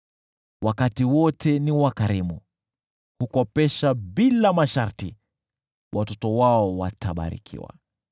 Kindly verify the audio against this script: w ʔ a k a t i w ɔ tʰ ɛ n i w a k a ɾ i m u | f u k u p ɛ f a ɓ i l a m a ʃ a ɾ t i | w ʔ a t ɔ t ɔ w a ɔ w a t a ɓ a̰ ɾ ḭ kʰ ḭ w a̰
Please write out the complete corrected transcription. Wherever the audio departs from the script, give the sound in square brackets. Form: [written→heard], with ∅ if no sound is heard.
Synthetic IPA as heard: w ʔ a k a t i w ɔ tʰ ɛ n i w a k a ɾ i m u | [f→h] u k [u→ɔ] p ɛ [f→ʃ] a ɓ i l a m a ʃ a ɾ t i | w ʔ a t ɔ t ɔ w a ɔ w a t a ɓ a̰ ɾ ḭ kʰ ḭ w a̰